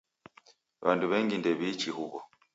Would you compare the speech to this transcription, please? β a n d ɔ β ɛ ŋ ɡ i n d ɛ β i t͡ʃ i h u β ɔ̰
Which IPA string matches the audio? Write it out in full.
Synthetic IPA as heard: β a n d u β ɛ ŋ ɡ i n d ɛ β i t͡ʃ i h u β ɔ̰